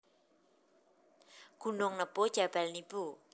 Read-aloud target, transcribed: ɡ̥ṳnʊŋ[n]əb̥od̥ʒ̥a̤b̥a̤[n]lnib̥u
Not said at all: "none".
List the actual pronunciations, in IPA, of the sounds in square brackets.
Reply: n, none

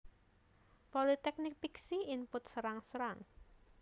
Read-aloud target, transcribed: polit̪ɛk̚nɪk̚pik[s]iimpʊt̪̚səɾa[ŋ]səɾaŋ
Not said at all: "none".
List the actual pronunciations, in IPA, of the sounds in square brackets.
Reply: s, ŋ

